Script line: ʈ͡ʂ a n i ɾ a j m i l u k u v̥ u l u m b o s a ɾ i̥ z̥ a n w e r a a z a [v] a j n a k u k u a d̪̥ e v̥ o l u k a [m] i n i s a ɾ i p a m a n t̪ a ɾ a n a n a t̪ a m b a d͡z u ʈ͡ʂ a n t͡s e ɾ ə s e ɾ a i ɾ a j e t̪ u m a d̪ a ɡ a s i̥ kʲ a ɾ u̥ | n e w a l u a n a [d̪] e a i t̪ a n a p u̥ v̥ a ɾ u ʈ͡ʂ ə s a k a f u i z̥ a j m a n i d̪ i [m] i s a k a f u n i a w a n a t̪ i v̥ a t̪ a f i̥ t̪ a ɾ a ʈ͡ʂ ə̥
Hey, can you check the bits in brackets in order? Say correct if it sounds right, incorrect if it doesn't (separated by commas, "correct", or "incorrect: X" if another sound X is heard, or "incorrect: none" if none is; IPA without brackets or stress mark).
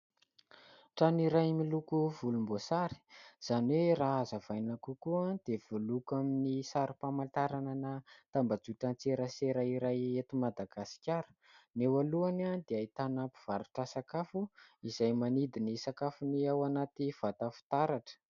correct, correct, correct, incorrect: n